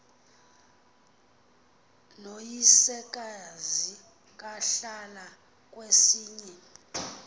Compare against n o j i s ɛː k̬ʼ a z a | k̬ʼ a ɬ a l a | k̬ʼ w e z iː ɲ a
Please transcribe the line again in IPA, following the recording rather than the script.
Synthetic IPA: n o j i s ɛ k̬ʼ a z i | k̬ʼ a ɬ a l a | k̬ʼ w e s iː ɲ ɛ